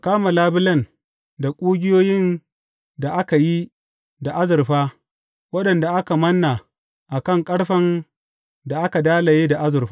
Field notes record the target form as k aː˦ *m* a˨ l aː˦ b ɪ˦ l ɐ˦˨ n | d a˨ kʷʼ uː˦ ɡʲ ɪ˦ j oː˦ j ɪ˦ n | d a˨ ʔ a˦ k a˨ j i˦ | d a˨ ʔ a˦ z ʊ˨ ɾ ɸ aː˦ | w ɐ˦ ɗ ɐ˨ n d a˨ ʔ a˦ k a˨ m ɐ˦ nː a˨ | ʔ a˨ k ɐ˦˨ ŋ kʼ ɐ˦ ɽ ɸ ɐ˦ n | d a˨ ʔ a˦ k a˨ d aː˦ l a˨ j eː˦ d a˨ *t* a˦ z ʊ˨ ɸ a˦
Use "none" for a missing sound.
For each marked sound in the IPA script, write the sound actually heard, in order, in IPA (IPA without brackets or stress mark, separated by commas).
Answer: m, ʔ